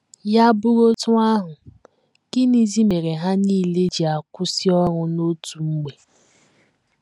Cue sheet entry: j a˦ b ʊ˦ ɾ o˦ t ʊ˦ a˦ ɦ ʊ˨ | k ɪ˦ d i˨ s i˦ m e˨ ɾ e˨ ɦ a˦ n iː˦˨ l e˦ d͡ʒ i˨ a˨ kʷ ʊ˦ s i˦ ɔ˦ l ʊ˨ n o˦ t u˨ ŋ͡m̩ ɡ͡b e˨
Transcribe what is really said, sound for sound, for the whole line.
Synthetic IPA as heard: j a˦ b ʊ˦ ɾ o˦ t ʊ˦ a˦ ɦ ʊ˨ | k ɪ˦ n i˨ z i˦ m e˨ ɾ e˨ ɦ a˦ n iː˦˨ l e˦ d͡ʒ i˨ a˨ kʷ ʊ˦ s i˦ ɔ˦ ɾ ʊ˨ n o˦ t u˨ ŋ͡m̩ ɡ͡b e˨